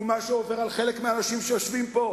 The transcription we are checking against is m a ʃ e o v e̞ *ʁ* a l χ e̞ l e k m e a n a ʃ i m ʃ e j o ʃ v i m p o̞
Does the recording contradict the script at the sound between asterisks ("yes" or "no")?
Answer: no